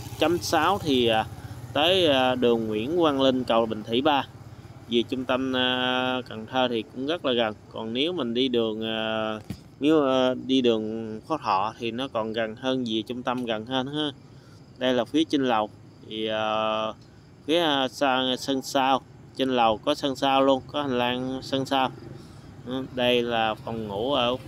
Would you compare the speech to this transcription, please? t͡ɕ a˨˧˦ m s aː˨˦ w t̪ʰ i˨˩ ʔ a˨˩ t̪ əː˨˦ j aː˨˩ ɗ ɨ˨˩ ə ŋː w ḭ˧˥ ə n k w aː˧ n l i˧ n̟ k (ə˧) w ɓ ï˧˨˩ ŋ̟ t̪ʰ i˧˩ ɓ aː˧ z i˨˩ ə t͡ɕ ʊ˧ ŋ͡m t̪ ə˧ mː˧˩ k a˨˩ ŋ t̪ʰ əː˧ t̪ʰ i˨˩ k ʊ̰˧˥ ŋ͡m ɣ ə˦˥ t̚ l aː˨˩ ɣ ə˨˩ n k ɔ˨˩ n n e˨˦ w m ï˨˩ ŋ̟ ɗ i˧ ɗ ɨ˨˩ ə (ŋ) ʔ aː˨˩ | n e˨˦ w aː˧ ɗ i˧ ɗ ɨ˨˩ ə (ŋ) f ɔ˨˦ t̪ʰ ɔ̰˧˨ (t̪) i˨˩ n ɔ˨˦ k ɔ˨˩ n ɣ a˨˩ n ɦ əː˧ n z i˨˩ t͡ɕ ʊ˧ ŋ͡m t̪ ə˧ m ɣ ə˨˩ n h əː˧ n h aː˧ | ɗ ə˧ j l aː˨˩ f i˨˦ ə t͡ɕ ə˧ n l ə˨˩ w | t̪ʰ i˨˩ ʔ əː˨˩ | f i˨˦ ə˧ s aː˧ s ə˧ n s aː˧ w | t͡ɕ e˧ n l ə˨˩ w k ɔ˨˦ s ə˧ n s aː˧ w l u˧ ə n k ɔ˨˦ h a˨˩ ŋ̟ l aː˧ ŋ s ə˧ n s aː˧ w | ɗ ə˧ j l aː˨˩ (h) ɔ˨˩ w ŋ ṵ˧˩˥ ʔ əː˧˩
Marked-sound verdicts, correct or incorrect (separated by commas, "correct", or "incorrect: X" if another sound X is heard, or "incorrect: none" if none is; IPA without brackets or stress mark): incorrect: ə˨˩, correct, correct, incorrect: t̪ʰ, incorrect: f